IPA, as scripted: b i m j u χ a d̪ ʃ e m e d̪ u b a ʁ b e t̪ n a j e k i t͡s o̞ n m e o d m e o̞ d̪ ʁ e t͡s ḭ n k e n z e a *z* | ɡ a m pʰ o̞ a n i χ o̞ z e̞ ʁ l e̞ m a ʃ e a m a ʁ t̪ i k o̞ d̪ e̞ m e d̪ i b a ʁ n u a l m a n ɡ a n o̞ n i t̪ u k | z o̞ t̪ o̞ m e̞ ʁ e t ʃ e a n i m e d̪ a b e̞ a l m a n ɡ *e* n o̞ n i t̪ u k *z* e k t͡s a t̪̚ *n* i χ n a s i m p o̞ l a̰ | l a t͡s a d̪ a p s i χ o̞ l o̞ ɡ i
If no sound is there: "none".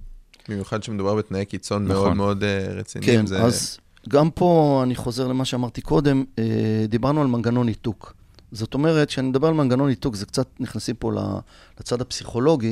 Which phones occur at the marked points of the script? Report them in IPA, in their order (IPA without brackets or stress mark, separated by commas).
z, a, z, n